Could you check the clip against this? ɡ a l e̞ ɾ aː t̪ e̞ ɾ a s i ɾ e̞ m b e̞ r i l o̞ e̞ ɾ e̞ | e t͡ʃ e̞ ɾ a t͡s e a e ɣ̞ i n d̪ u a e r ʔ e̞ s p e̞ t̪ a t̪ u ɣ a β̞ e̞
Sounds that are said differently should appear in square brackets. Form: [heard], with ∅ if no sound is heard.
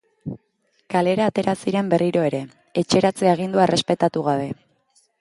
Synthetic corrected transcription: [k] a l e̞ ɾ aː t̪ e̞ ɾ a s i ɾ e̞ m b e̞ r i [ɾ] o̞ e̞ ɾ e̞ | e t͡ʃ e̞ ɾ a t͡s e a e ɣ̞ i n d̪ u a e r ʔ e̞ s p e̞ t̪ a t̪ u ɣ a β̞ e̞